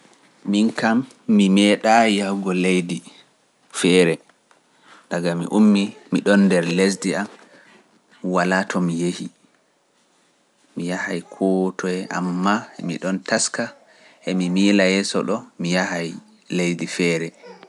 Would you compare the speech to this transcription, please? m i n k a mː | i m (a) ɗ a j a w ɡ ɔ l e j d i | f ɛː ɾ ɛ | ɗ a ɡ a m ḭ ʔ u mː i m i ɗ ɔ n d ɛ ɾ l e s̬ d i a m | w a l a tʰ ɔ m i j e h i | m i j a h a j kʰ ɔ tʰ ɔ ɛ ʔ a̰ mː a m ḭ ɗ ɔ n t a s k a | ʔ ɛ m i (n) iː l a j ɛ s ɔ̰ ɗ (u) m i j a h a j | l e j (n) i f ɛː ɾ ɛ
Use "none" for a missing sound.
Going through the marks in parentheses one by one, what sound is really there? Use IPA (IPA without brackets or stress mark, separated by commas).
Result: ɛ, m, ɔ, d